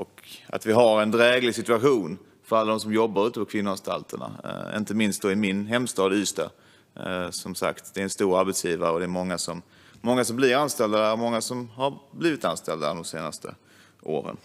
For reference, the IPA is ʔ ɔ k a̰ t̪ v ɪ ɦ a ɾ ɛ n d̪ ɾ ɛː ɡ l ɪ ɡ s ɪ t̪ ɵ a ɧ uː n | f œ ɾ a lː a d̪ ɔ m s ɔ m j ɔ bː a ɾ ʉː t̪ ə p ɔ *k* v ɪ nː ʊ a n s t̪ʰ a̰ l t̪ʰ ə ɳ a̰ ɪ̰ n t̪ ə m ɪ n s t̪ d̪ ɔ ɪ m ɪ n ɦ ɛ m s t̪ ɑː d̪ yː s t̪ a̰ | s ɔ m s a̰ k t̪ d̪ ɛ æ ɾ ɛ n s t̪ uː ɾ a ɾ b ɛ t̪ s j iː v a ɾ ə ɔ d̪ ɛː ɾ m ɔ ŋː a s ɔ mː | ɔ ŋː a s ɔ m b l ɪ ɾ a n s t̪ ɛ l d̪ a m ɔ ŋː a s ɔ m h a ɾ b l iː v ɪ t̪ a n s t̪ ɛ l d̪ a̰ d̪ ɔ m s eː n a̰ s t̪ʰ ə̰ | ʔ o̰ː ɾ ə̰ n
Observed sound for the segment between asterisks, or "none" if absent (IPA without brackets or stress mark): kʰ